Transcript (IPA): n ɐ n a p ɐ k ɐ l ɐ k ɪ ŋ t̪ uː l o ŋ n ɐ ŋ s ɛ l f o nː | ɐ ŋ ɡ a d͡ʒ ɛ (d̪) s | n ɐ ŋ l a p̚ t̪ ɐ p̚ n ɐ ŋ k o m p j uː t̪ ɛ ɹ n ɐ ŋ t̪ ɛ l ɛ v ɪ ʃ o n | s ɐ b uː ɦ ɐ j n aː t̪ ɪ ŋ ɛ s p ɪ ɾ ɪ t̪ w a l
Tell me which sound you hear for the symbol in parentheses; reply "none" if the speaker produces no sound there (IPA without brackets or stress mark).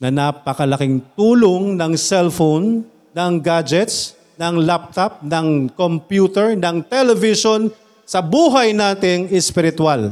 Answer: t̪